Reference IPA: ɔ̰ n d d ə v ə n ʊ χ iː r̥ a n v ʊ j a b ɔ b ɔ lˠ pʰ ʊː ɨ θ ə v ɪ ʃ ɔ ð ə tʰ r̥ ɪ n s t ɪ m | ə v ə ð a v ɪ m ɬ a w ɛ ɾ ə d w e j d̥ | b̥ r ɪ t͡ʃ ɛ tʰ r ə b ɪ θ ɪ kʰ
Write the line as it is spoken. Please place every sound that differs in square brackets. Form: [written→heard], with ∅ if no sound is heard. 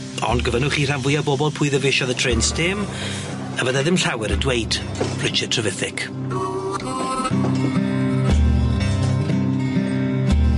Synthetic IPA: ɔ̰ n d [d→ɡ] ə v ə n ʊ χ iː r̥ a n v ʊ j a b ɔ b ɔ lˠ pʰ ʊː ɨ [θ→ð] ə v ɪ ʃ ɔ ð ə tʰ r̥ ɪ n s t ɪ m | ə v ə ð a [v→ð] ɪ m ɬ a w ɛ ɾ ə d w e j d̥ | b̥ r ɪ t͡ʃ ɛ tʰ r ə [b→v] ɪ θ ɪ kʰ